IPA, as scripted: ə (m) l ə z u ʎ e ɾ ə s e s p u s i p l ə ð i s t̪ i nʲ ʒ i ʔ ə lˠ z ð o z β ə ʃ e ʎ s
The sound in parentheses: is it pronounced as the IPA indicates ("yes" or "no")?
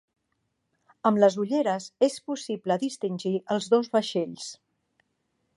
yes